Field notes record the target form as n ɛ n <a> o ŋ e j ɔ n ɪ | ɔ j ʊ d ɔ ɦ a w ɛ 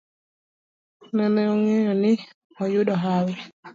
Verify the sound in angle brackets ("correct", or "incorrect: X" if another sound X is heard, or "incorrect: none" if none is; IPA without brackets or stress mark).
incorrect: ɛ